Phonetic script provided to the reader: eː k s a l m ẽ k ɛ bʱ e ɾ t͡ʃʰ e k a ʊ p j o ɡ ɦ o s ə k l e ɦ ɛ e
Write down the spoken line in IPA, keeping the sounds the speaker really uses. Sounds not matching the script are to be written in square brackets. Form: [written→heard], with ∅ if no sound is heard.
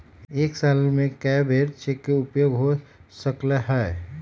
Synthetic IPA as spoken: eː k s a l m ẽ k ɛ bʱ e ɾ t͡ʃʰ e k [a→e] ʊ p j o ɡ ɦ o s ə k l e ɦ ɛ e